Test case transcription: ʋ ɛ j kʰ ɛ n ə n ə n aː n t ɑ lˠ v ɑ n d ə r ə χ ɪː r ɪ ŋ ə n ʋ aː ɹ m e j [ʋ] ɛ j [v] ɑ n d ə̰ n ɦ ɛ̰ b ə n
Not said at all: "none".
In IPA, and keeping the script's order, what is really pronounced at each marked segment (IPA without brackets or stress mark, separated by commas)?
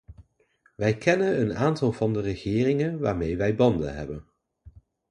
ʋ, b